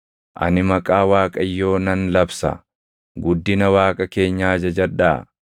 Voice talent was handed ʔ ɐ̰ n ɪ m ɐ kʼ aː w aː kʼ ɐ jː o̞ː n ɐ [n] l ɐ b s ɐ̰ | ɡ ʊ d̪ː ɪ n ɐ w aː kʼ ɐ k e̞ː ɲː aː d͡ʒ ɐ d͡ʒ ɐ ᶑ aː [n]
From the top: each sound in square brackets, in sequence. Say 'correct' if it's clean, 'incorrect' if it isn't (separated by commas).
correct, incorrect